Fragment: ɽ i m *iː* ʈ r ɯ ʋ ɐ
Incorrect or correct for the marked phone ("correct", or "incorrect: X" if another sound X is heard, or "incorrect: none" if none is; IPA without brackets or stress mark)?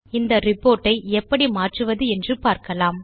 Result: incorrect: aː